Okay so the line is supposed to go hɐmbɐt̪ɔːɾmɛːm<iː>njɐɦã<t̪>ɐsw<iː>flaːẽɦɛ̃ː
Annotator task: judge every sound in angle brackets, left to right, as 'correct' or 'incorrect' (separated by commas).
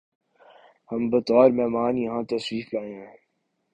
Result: incorrect, correct, correct